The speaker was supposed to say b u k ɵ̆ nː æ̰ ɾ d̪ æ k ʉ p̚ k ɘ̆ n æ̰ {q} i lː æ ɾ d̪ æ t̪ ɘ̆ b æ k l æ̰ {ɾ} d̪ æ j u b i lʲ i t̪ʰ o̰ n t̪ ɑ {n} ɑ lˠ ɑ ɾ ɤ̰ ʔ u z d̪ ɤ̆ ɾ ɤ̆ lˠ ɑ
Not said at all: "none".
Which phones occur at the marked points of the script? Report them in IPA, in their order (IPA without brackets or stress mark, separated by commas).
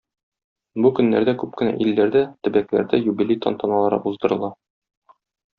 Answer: ʔ, ɾ, n